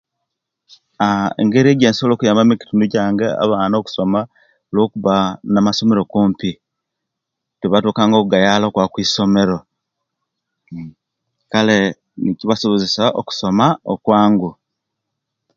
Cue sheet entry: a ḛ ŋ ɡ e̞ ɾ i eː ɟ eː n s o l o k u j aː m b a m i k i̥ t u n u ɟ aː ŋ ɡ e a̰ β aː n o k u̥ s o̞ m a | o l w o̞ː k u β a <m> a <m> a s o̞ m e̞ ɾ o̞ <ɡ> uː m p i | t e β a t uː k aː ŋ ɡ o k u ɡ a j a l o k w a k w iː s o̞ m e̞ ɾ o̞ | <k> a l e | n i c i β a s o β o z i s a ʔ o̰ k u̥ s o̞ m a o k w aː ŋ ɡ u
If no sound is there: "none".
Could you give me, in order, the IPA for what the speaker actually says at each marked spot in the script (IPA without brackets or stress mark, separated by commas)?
n, m, k, k